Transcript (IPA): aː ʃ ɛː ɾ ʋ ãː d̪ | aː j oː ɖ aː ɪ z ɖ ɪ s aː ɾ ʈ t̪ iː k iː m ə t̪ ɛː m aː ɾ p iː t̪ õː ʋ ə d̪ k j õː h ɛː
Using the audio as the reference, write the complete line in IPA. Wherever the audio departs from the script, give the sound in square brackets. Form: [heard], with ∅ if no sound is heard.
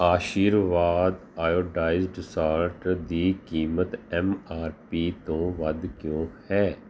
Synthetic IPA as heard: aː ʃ [iː] ɾ ʋ [aː] d̪ | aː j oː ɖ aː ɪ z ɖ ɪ s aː ɾ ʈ [d̪] iː k iː m ə t̪ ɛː m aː ɾ p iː t̪ õː ʋ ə d̪ k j õː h ɛː